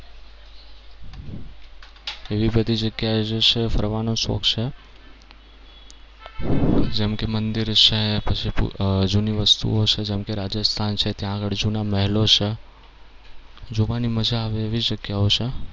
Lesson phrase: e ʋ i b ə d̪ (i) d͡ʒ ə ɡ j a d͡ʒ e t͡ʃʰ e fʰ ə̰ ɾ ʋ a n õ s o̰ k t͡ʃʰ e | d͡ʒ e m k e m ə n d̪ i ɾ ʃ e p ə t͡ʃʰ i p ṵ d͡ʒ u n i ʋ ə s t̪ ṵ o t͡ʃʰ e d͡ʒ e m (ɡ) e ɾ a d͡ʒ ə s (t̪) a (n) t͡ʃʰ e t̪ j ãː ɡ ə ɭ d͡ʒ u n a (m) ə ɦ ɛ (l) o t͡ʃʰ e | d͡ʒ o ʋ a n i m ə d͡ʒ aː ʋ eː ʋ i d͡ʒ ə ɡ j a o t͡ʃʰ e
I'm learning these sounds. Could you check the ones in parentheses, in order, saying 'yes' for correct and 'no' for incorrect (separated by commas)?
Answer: yes, no, no, yes, yes, yes